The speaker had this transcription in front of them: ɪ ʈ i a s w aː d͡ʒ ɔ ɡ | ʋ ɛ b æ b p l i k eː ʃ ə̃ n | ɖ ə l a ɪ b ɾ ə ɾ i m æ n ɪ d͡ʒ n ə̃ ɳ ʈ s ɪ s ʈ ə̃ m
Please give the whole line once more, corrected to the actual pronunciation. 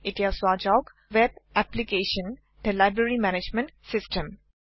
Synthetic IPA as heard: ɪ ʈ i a s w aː d͡ʒ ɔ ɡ | ʋ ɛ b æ p l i k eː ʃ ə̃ n | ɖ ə l a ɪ b ɾ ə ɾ i m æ n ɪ d͡ʒ m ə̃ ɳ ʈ s ɪ s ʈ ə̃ m